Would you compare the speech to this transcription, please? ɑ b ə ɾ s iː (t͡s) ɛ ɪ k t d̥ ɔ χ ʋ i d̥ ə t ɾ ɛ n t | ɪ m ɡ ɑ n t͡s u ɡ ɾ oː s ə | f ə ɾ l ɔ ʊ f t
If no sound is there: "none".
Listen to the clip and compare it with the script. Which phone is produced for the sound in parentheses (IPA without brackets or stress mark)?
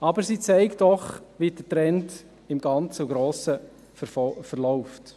t͡s